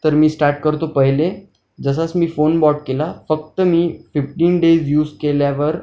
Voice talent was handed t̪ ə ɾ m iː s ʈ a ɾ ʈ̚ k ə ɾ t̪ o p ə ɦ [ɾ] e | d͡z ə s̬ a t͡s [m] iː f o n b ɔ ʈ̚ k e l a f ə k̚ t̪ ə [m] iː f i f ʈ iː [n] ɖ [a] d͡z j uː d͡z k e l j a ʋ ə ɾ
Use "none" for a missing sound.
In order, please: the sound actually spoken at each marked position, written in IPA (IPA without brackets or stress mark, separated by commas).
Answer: l, m, m, n, e